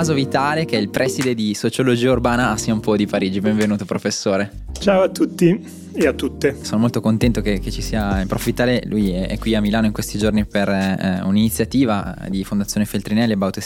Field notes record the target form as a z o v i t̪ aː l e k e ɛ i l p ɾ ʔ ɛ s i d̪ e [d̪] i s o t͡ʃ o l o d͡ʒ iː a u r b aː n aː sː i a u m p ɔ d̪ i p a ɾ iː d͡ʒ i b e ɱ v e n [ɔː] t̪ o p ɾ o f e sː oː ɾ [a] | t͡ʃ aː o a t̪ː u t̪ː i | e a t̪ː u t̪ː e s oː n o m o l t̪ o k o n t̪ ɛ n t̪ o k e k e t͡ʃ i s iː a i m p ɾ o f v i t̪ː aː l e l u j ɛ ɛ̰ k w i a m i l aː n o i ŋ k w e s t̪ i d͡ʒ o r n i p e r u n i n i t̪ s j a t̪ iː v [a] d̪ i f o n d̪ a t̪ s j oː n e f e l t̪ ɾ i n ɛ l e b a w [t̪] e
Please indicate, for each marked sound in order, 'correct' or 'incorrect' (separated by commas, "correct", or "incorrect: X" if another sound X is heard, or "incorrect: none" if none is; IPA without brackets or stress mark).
correct, incorrect: uː, incorrect: e, correct, correct